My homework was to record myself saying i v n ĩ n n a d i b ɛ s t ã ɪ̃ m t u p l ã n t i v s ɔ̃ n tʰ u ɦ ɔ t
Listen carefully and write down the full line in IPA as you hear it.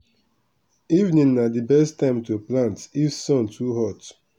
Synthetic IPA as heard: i v n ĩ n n a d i b ɛ s t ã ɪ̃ m t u p l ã n t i f s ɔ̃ n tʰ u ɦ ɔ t

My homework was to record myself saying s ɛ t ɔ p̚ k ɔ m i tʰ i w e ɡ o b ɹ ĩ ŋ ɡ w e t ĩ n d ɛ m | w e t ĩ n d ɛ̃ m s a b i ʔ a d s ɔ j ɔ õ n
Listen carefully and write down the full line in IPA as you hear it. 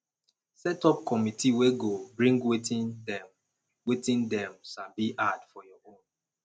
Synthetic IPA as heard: s ɛ t ɔ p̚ k ɔ m i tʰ i w e ɡ o b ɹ ĩ ŋ ɡ w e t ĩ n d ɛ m | w e t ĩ n d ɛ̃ m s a b i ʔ a d f ɔ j ɔ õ n

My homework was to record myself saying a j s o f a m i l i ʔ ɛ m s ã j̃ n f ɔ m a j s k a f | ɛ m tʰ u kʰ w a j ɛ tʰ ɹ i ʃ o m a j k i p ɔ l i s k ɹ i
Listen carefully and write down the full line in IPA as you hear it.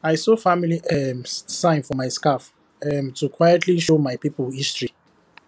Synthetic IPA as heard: a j s o f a m i l i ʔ ɛ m s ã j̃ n f ɔ m a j s k a f | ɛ m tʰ u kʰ w a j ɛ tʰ l i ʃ o m a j p i p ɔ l i s t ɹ i

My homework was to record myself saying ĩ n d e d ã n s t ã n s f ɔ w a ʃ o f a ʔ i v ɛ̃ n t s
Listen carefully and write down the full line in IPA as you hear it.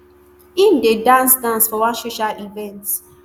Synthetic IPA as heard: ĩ n d e d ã n s d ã n s f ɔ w a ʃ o ʃ a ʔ i v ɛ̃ n t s

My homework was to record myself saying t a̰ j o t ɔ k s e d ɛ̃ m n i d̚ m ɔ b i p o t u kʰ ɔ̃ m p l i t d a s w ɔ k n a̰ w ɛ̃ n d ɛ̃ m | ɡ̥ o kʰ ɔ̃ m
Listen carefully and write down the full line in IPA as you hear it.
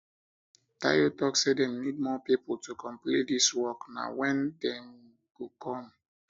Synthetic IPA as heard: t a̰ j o t ɔ k s e d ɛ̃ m n i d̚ m ɔ p i p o t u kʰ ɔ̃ m p l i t d i s w ɔ k n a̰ w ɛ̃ n d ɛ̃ m | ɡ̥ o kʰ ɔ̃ m

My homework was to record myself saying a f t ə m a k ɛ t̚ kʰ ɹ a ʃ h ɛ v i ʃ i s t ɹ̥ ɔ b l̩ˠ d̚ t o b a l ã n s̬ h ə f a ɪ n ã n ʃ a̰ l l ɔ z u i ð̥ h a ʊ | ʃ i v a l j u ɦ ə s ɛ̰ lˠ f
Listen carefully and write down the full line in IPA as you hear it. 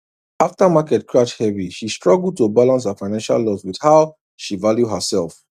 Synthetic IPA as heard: a f t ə m a k ɛ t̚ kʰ ɹ a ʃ h ɛ v i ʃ i s t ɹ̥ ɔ ɡ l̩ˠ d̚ t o b a l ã n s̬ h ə f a ɪ n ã n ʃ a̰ l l ɔ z w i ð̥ h a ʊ | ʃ i v a l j u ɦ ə s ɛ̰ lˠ f

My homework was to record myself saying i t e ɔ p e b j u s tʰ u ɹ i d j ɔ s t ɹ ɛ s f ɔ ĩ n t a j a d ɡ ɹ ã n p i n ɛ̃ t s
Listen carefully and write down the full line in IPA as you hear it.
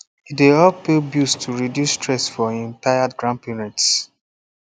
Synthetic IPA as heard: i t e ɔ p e b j u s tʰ u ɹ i d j u s t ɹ ɛ s f ɔ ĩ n t a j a d ɡ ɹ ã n p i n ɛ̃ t s

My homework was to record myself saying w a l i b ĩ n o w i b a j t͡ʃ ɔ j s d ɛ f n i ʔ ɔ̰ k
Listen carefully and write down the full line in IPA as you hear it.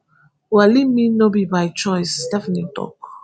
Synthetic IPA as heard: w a l i m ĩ n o b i b a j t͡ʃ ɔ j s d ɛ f n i t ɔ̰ k

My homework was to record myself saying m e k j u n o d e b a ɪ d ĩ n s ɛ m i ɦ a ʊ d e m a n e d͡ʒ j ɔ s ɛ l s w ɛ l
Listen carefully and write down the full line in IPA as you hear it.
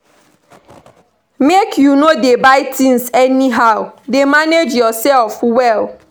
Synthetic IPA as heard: m e k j u n o d e b a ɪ t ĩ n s ɛ n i ɦ a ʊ d e m a n e d͡ʒ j ɔ s ɛ l f w ɛ l

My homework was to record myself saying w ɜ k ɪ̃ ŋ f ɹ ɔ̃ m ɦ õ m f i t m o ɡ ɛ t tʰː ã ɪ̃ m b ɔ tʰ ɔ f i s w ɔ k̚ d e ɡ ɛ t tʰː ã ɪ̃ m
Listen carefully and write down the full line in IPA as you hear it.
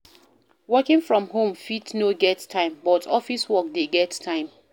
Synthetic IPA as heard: w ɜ k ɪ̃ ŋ f ɹ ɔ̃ m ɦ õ m f i t n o ɡ ɛ t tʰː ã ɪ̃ m b ɔ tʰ ɔ f i s w ɔ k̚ d e ɡ ɛ t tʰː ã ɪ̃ m

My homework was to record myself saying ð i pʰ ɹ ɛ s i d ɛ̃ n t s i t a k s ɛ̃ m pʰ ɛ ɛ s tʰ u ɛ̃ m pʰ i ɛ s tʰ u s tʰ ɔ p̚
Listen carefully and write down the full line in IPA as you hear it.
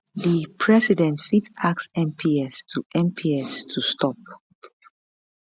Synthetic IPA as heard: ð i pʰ ɹ ɛ s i d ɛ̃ n t f i t a k s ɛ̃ m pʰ i ɛ s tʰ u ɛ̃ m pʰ i ɛ s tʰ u s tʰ ɔ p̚

